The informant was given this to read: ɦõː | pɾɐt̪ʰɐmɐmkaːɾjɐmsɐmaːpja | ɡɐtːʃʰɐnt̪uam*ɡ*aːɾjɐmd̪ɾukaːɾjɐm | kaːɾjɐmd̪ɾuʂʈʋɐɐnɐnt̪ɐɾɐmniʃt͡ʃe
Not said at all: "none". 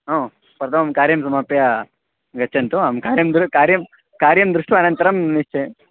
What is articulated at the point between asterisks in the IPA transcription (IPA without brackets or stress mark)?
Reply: k